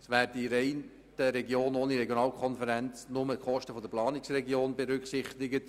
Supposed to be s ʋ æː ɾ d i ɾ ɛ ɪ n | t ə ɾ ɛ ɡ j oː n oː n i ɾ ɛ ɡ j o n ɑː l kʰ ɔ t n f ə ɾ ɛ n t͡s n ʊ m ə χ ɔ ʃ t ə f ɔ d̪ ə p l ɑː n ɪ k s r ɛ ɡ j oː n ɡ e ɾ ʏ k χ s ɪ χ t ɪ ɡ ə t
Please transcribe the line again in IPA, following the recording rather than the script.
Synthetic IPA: s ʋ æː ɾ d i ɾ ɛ ɪ n | t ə ɾ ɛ ɡ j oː n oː n i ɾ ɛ ɡ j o n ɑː l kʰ ɔ n f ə ɾ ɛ n t͡s n ʊ m ə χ ɔ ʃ t ə f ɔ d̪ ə p l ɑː n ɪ k s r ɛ ɡ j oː n b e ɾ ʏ k χ s ɪ χ t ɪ ɡ ə t